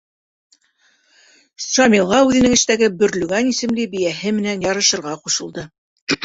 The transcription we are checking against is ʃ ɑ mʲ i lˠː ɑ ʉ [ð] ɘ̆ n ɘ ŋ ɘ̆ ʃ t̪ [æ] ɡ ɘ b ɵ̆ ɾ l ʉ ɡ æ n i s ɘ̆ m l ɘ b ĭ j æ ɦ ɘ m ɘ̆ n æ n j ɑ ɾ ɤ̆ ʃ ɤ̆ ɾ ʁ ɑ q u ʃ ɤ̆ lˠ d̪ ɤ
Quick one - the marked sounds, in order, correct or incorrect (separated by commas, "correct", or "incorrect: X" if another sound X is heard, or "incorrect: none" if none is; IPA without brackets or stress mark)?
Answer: correct, correct